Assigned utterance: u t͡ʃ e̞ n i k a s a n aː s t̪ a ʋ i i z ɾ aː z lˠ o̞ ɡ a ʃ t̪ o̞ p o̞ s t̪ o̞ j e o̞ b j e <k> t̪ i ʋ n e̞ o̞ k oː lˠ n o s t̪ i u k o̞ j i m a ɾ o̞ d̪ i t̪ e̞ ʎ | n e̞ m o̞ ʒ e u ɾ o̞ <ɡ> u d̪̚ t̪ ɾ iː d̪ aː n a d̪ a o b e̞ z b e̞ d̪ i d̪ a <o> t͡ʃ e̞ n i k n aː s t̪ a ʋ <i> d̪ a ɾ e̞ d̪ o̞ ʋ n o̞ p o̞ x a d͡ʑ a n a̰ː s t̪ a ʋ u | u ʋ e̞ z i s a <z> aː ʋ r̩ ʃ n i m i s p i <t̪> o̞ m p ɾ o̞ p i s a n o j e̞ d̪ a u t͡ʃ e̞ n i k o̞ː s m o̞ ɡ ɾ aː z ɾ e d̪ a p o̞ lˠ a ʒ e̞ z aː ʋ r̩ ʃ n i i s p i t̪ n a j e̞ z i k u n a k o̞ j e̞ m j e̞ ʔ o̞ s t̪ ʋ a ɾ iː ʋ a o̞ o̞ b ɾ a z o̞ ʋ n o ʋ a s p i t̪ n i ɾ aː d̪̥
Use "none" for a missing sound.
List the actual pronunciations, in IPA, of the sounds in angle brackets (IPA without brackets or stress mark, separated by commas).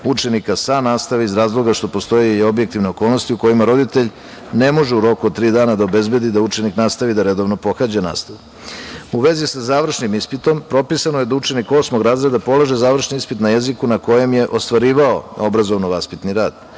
k, k, u, i, z, t̪